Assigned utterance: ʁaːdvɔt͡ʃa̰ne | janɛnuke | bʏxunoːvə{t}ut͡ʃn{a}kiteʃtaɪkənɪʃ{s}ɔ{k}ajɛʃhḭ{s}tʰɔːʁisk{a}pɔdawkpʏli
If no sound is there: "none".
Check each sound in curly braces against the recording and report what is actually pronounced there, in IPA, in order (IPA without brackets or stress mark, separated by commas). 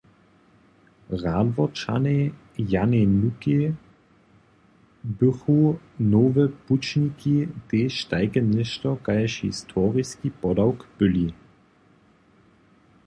p, i, t, k, s, i